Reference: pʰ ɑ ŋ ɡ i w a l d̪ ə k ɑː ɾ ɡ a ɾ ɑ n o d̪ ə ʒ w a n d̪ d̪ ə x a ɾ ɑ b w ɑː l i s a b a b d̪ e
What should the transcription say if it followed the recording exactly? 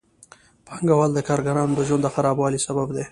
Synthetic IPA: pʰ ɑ ŋ ɡ a w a l d̪ ə k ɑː ɾ ɡ a ɾ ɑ n o d̪ ə ʒ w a n d̪ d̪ ə x a ɾ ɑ b w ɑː l i s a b a b d̪ e